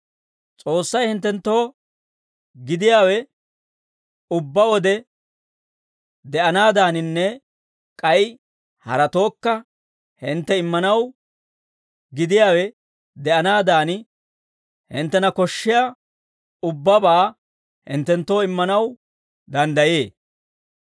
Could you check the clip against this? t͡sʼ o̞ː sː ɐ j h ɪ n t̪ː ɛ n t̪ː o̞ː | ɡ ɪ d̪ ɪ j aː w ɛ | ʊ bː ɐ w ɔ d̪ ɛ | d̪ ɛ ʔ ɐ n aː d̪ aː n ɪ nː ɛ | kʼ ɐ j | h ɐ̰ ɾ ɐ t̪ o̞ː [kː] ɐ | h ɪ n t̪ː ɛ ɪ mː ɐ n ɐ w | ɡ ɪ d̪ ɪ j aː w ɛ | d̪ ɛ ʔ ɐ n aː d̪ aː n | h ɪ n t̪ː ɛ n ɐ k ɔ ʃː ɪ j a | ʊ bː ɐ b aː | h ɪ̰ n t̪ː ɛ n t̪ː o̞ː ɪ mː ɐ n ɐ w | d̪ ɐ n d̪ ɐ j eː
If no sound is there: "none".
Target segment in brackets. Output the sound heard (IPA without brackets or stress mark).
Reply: kː